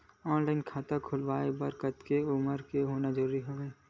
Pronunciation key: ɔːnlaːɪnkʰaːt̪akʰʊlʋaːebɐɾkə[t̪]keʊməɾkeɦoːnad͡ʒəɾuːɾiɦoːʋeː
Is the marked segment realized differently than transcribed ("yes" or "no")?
no